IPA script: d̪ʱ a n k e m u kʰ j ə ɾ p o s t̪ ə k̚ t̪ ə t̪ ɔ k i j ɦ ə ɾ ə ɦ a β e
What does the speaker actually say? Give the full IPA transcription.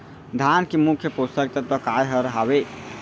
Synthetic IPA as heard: d̪ʱ a n k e m u kʰ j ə p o s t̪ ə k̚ t̪ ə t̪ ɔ k a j ɦ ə ɾ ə ɦ a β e